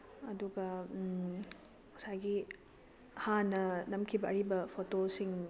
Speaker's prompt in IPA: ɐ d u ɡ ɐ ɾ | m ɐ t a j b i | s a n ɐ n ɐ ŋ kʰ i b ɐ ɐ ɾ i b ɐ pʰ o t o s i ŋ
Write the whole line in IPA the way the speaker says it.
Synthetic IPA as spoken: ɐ d u ɡ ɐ | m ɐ s a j ɡ i | h a n ɐ n ɐ m kʰ i b ɐ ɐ ɾ i b ɐ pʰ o t o s i ŋ